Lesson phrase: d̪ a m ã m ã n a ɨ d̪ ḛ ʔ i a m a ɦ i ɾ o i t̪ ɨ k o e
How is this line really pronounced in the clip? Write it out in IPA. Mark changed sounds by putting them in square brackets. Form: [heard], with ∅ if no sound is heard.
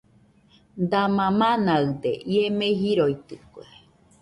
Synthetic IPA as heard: d̪ a m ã m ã n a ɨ d̪ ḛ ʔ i [e] m [e] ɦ i ɾ o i t̪ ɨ k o e